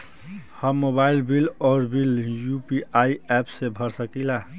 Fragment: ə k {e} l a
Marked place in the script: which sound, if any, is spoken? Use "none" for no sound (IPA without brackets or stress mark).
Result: i